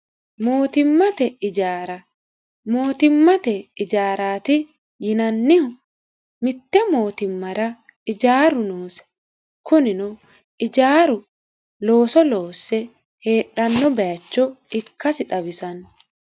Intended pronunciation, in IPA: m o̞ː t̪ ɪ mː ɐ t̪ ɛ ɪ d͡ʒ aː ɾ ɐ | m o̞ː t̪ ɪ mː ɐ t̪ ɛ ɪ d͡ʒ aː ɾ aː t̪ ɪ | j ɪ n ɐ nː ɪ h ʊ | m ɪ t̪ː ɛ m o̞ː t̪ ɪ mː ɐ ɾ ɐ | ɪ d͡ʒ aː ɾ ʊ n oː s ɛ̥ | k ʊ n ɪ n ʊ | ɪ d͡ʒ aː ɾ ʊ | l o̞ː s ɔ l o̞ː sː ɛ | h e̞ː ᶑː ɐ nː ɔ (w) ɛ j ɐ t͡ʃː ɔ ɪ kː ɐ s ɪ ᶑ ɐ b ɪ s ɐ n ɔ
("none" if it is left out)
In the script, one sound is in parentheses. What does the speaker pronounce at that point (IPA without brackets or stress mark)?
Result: b